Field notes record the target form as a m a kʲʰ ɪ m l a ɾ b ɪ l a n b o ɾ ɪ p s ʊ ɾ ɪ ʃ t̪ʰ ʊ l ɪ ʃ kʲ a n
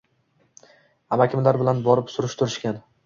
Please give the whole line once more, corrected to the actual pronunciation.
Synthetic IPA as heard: a m a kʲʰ ɪ m l a ɾ b ɪ l a n b ɒ ɾ ɪ p s ʊ ɾ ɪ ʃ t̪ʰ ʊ ɾ ɪ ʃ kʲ a n